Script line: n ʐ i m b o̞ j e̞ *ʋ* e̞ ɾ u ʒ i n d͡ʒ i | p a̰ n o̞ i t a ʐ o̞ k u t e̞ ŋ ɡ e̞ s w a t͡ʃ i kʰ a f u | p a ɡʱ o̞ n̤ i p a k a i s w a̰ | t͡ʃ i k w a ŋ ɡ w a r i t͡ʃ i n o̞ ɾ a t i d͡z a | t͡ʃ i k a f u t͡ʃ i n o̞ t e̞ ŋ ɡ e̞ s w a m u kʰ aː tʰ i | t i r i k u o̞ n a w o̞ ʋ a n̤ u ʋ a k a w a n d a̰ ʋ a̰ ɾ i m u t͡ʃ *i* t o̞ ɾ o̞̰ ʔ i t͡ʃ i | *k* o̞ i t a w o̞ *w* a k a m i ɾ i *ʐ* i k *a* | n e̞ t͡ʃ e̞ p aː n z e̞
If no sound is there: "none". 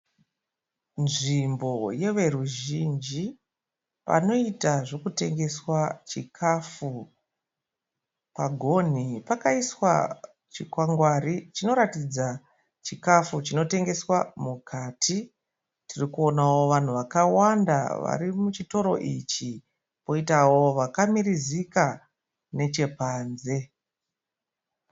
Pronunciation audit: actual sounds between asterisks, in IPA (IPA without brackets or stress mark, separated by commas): ʋ, i, p, ʋ, z, a